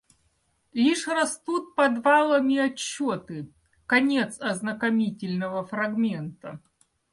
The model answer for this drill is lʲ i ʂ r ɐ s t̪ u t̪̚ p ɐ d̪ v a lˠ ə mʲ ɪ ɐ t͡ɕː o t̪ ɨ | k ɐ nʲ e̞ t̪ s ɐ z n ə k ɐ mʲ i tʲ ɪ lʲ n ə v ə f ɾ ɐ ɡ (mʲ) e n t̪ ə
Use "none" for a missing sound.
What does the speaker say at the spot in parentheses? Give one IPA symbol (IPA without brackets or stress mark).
mʲ